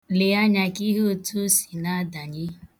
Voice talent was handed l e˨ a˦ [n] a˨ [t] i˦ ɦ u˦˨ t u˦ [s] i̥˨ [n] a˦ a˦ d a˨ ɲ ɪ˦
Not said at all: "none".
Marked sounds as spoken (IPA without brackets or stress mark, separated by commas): ɲ, k, s, n